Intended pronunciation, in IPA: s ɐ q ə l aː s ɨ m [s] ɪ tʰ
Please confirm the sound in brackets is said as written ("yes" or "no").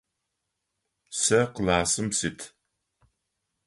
yes